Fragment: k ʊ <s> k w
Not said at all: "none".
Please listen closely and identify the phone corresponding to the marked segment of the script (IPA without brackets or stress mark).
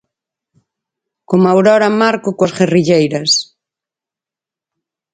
none